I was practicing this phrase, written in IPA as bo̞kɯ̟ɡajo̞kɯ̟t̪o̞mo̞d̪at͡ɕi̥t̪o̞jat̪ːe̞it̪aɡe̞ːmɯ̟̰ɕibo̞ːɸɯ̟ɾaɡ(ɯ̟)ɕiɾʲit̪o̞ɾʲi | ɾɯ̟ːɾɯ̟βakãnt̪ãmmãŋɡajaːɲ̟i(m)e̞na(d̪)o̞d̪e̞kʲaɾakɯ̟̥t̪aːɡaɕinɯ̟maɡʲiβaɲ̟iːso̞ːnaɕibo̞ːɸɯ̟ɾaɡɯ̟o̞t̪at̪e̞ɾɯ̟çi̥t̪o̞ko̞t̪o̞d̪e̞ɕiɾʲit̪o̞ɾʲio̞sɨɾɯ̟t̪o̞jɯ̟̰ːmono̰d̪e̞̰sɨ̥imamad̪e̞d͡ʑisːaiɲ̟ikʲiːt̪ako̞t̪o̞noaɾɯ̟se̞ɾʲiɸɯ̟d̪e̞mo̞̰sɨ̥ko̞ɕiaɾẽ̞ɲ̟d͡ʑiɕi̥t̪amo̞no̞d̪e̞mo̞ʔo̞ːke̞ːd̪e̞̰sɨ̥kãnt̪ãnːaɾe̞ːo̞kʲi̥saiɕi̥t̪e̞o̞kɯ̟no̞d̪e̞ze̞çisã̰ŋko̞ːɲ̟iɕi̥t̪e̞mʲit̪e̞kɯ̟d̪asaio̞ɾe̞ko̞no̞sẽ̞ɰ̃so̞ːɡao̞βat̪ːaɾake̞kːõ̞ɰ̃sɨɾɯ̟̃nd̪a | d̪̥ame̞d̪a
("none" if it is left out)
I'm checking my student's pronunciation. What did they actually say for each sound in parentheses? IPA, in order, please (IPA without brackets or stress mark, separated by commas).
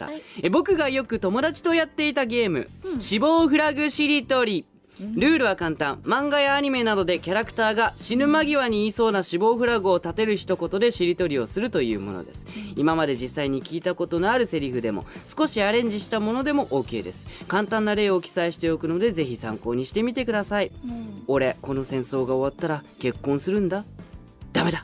ɯ̟, m, d̪